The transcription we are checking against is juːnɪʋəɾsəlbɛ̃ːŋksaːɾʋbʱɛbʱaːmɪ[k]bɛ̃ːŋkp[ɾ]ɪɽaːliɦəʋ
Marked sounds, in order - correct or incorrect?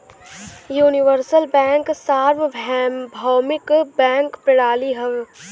correct, correct

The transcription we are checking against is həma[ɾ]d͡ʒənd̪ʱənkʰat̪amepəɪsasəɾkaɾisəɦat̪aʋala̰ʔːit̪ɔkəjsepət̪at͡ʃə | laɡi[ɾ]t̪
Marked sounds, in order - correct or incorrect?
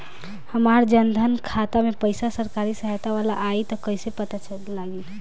correct, incorrect: none

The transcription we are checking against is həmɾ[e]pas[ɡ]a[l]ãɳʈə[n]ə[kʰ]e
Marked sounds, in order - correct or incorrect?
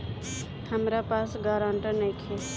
incorrect: a, correct, incorrect: ɾ, correct, correct

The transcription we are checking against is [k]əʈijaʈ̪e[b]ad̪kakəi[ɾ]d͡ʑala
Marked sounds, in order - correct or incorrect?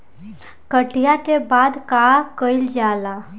correct, correct, incorrect: l

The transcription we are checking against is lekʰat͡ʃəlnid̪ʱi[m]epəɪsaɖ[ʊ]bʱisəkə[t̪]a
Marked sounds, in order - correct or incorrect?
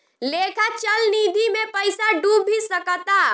correct, incorrect: u, correct

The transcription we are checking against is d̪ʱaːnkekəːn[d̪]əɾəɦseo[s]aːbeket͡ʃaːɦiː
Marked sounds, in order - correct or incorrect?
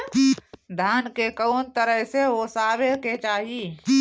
incorrect: t̪, correct

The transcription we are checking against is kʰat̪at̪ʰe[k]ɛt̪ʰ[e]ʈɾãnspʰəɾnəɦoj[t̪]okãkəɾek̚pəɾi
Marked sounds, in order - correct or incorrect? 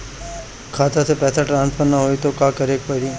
incorrect: p, incorrect: a, correct

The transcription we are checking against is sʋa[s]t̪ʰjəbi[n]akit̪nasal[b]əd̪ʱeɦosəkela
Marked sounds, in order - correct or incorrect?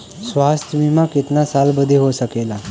correct, incorrect: m, correct

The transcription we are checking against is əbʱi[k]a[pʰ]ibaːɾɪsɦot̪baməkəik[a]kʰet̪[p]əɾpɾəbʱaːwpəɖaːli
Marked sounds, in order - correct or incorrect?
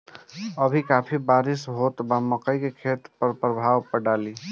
correct, correct, incorrect: e, correct

